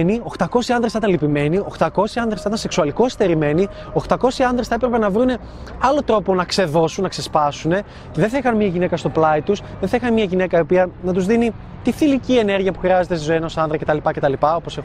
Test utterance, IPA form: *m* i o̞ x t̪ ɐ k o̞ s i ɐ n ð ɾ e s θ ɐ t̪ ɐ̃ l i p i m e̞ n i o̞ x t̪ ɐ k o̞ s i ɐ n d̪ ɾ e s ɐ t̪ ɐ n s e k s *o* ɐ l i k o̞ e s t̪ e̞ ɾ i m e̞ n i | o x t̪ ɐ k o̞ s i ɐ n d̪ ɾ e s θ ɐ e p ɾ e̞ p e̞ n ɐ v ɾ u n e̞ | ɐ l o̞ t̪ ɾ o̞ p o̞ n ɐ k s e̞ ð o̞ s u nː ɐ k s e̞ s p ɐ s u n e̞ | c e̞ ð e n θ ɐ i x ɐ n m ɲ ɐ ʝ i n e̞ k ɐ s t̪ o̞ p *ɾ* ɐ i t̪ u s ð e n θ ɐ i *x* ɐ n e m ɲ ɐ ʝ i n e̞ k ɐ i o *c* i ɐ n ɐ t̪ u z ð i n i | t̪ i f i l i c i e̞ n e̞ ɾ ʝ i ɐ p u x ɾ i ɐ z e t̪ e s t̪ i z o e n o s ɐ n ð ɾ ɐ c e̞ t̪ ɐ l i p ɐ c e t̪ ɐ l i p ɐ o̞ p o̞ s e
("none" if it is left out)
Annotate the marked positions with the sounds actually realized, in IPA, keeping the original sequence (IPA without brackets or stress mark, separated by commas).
n, u, l, x, p